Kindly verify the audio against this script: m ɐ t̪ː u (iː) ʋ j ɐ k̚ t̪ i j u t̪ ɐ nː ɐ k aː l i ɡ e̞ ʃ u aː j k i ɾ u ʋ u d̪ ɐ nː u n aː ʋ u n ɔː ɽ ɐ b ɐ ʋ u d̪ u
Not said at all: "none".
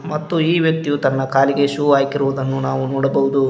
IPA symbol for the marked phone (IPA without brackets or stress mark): iː